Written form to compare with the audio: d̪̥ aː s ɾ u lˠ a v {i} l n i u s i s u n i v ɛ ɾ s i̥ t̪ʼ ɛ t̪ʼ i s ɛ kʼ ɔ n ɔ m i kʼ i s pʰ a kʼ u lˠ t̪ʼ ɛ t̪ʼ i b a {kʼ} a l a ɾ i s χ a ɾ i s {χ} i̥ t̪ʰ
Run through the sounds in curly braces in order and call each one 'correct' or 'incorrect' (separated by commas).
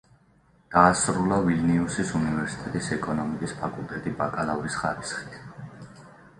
correct, correct, correct